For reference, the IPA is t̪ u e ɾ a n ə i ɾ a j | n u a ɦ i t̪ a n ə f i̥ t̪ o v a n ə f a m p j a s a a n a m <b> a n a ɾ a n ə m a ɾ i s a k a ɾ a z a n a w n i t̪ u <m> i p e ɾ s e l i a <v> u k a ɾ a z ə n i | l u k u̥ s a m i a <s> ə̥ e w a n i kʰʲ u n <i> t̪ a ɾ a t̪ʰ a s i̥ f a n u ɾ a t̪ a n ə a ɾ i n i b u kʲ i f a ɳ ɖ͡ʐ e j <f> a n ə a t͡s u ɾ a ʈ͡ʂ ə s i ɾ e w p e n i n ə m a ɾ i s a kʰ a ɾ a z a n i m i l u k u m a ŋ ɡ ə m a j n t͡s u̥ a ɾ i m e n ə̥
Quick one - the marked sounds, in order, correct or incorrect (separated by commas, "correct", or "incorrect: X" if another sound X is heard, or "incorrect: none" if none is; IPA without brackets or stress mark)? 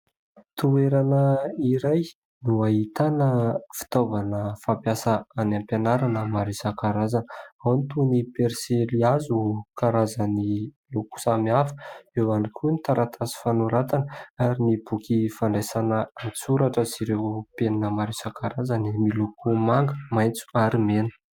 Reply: incorrect: p, incorrect: n, incorrect: z, incorrect: f, correct, incorrect: s